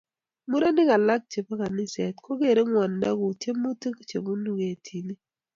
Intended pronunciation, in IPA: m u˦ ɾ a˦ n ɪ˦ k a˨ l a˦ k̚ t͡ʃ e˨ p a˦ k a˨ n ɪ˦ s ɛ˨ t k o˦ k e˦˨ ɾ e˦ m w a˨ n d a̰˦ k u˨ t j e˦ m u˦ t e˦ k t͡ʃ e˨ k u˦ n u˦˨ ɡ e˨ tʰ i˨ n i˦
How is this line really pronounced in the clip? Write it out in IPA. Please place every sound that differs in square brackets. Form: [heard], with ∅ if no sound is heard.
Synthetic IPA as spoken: m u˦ ɾ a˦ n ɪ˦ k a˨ l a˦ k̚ t͡ʃ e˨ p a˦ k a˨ n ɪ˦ s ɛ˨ t k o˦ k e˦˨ ɾ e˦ [ŋ] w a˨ n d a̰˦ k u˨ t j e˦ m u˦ t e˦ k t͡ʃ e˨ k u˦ n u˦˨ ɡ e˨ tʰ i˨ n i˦